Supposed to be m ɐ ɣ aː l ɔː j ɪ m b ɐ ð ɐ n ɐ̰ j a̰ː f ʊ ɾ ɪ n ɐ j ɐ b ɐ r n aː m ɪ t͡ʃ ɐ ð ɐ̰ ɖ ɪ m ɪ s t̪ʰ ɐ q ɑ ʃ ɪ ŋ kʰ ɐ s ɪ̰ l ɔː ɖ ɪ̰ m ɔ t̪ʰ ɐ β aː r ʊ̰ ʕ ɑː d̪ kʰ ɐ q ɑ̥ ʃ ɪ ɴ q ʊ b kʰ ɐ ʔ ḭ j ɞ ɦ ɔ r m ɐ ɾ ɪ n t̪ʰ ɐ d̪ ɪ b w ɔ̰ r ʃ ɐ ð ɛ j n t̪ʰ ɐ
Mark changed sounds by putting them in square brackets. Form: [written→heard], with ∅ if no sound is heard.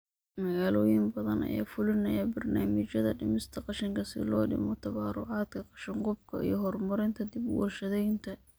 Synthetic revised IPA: m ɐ ɣ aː l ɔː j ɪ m b ɐ ð ɐ n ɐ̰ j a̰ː f ʊ [ɾ→l] ɪ n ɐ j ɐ b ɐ r n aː m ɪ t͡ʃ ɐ ð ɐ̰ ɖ ɪ m ɪ s t̪ʰ ɐ q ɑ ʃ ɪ ŋ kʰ ɐ s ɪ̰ l ɔː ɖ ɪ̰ m ɔ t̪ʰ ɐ β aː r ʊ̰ ʕ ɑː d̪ kʰ ɐ q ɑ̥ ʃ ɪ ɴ q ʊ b kʰ ɐ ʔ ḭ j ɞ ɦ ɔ r m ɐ ɾ ɪ n t̪ʰ ɐ d̪ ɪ b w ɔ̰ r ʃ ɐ ð ɛ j n t̪ʰ ɐ

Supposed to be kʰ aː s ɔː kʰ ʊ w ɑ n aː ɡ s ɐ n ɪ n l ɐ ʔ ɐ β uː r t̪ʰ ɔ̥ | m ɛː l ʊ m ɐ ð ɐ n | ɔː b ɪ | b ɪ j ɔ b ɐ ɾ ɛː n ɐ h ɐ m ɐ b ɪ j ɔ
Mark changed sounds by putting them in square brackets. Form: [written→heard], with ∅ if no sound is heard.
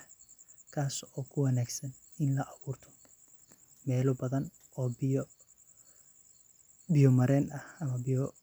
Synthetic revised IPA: kʰ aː s ɔː kʰ ʊ w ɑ n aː ɡ s ɐ n ɪ n l ɐ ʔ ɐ β uː r t̪ʰ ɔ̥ | m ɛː l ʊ [m→b] ɐ ð ɐ n | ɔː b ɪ | b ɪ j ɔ [b→m] ɐ ɾ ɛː n ɐ h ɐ m ɐ b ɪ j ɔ

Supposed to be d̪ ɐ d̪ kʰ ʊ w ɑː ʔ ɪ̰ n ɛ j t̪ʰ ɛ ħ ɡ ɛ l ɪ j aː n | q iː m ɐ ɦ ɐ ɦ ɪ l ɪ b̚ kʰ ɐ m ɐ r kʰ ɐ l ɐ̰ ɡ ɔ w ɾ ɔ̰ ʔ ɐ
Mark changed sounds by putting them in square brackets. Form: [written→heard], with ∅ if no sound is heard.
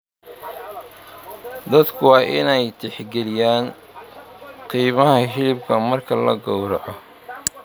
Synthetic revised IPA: d̪ ɐ d̪ kʰ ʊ w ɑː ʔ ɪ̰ n ɛ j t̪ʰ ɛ ħ ɡ ɛ l ɪ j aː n | q iː m ɐ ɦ ɐ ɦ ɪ l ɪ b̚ kʰ ɐ m ɐ r kʰ ɐ l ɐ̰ ɡ ɔ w ɾ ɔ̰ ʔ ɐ

